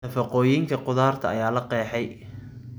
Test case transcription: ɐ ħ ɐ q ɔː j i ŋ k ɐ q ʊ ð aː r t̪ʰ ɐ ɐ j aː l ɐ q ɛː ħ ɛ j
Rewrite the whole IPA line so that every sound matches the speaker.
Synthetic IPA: ɐ f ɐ q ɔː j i ŋ kʰ ɐ q ʊ ð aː r t̪ʰ ɐ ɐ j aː l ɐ q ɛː ħ ɛ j